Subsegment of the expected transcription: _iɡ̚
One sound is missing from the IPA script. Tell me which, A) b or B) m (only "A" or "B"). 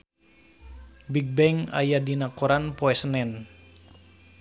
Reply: A